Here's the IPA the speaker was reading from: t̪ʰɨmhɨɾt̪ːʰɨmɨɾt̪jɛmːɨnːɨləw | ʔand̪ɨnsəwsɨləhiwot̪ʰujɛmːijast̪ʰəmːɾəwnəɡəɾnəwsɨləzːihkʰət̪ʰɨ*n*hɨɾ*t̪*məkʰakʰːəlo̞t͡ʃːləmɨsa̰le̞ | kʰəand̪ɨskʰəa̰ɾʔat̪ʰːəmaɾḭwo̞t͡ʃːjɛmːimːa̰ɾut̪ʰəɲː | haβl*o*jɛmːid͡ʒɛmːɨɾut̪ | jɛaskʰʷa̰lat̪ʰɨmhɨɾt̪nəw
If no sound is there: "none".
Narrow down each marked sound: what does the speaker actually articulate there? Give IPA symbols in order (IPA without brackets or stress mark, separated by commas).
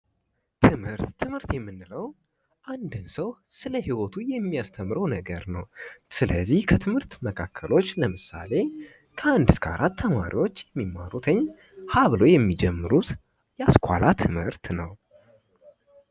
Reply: m, t̪, o